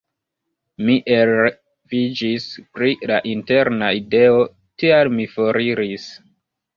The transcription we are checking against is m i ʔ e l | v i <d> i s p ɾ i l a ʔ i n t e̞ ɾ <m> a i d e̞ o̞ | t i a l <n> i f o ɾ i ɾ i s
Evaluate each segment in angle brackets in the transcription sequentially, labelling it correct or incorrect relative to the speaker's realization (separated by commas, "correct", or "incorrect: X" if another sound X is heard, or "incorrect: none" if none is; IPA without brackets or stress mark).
incorrect: d͡ʒ, incorrect: n, incorrect: m